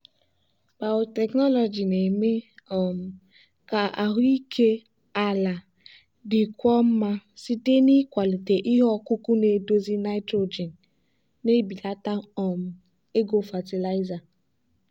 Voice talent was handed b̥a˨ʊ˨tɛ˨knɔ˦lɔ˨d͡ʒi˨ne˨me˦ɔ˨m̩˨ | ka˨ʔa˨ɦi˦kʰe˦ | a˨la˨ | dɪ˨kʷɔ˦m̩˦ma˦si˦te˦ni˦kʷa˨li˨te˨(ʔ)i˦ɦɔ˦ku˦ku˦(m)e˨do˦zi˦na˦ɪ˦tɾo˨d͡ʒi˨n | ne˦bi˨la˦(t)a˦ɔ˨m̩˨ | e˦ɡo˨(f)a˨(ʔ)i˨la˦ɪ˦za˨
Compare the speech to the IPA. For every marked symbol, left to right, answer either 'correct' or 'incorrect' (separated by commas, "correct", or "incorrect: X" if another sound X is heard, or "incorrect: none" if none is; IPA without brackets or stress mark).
correct, incorrect: n, correct, correct, incorrect: t